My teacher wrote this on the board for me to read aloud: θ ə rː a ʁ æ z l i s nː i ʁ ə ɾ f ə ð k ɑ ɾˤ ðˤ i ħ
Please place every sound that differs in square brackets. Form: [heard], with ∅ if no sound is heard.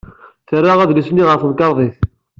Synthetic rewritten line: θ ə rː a ʁ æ [ð] l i s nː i ʁ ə ɾ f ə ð k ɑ ɾˤ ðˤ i [θ]